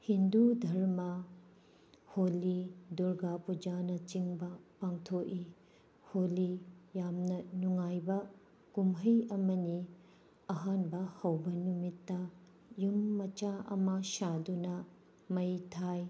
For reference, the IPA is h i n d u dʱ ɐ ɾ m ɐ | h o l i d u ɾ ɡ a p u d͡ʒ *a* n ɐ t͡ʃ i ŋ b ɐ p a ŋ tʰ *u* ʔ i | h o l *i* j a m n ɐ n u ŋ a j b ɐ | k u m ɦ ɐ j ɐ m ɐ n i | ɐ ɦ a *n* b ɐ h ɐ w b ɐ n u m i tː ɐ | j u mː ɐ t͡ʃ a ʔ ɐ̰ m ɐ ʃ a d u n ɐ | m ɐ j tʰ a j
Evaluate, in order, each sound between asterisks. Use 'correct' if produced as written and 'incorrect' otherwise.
correct, incorrect: o, correct, correct

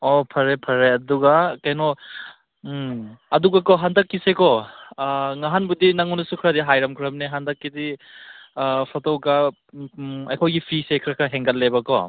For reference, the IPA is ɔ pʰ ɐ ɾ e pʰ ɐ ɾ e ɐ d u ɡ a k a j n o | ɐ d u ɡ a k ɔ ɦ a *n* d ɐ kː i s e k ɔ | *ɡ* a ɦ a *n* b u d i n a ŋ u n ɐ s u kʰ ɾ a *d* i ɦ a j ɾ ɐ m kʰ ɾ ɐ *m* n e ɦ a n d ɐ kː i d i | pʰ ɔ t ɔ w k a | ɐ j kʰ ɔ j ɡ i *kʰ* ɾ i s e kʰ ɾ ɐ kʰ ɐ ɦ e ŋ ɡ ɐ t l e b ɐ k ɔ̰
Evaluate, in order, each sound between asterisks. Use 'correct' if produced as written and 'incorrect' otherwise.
correct, incorrect: ŋ, correct, correct, correct, incorrect: pʰ

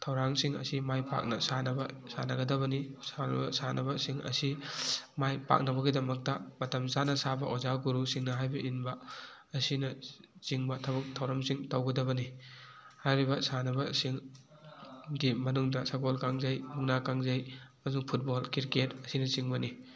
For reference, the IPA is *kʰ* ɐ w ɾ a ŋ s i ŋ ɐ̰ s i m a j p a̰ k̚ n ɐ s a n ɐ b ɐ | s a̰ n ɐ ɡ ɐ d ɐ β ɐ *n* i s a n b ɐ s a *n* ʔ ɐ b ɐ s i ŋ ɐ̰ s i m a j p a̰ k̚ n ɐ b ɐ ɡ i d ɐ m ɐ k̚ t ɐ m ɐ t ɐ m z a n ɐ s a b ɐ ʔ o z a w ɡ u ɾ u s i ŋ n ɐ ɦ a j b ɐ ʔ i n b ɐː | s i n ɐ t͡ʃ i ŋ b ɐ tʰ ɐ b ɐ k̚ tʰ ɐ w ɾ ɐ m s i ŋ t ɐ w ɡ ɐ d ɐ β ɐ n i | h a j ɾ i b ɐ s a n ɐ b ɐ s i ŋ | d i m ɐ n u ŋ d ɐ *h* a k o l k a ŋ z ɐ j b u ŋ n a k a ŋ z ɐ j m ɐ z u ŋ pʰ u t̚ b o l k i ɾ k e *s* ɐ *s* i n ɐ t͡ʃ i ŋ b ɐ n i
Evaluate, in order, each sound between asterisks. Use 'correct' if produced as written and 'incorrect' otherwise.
incorrect: tʰ, correct, correct, incorrect: s, incorrect: t, correct

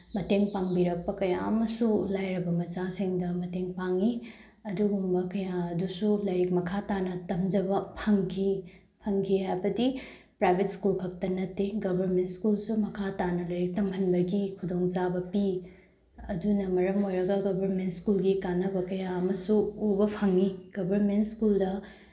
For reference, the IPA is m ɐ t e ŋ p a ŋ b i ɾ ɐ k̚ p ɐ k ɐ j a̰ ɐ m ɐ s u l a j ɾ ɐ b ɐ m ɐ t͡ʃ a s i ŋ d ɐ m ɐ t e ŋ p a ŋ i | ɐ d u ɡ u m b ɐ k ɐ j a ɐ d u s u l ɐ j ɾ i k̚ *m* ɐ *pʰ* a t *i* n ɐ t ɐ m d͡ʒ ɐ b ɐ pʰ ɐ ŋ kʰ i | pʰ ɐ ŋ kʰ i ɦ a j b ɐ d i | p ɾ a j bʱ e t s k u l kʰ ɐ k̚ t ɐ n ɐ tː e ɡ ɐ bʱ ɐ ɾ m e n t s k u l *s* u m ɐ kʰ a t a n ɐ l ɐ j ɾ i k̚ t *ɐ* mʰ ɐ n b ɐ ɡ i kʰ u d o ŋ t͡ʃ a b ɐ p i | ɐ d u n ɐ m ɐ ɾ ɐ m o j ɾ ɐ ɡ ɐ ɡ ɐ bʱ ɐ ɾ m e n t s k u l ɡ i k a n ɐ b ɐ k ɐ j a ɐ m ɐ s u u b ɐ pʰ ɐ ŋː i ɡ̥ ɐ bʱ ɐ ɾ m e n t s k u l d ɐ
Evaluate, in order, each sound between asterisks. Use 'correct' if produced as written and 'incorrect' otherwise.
correct, incorrect: kʰ, incorrect: a, correct, correct

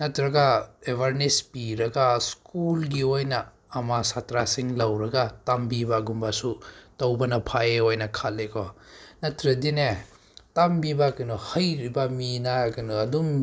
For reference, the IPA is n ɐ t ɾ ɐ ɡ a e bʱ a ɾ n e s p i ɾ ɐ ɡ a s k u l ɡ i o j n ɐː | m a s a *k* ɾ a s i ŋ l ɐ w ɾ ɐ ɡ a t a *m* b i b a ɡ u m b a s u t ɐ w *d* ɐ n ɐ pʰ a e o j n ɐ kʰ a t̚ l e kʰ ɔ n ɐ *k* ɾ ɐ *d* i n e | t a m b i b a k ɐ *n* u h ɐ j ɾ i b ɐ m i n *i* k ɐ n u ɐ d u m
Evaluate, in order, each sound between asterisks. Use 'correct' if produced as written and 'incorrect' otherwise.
incorrect: t, correct, incorrect: b, incorrect: t, correct, correct, incorrect: a

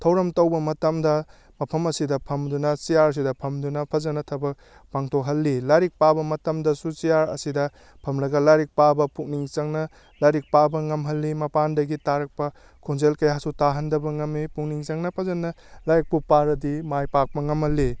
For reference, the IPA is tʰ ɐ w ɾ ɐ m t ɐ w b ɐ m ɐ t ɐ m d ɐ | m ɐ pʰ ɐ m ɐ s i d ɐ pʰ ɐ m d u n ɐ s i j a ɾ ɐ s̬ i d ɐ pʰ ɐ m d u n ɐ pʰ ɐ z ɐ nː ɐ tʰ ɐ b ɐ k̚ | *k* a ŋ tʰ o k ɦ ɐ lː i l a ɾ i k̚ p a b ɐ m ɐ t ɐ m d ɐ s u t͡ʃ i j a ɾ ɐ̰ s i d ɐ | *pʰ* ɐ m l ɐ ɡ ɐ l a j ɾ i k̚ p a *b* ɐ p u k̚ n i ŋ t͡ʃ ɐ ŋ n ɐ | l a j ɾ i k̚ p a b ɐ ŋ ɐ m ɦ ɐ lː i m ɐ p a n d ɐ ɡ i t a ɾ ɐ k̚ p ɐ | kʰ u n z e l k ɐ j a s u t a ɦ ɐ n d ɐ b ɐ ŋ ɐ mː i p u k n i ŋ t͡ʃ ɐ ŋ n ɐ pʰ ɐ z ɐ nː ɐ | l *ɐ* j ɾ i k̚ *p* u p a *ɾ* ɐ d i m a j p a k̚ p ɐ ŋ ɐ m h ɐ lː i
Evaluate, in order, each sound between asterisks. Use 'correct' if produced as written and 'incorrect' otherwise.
incorrect: p, correct, correct, incorrect: a, correct, correct

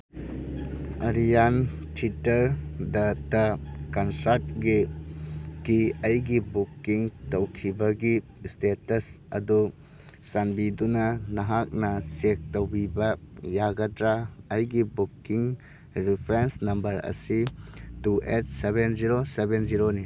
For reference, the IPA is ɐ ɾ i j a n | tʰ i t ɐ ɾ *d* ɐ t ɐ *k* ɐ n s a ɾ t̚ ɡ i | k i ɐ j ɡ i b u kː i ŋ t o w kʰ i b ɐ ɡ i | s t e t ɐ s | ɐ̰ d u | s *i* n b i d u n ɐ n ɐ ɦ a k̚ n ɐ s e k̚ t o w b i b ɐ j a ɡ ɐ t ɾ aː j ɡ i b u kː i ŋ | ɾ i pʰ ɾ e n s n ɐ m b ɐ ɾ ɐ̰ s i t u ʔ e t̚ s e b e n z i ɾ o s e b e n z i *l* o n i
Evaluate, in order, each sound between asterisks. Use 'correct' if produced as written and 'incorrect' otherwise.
correct, correct, incorrect: a, incorrect: ɾ

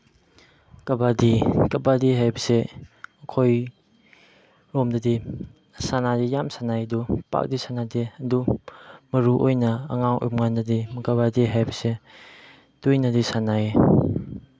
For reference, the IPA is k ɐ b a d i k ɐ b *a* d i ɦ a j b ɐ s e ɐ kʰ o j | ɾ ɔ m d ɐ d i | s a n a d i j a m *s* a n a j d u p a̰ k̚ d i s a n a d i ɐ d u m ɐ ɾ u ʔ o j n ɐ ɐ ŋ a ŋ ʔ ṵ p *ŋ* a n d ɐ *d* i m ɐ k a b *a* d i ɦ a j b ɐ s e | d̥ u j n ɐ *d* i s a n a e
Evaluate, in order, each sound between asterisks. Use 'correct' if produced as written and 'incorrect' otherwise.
correct, correct, correct, correct, correct, correct

